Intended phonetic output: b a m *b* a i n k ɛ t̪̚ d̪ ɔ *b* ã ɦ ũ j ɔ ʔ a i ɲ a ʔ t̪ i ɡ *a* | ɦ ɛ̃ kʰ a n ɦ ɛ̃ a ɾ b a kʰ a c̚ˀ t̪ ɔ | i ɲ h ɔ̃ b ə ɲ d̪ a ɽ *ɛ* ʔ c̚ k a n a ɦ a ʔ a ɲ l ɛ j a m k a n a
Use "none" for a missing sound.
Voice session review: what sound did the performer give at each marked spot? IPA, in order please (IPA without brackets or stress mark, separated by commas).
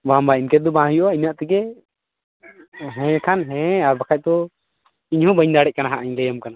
b, b, ɛ, ɛ